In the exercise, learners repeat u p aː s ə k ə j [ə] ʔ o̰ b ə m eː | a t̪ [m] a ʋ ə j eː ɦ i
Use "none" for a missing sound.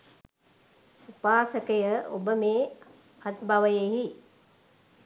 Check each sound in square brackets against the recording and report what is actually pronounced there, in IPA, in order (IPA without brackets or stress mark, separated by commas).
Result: ə, b